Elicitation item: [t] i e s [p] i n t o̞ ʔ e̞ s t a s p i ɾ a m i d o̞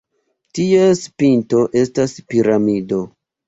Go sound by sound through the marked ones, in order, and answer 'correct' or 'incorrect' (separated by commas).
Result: correct, correct